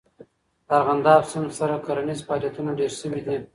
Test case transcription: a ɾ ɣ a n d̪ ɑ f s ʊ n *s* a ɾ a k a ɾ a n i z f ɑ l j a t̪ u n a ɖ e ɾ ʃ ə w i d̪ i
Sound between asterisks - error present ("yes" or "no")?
no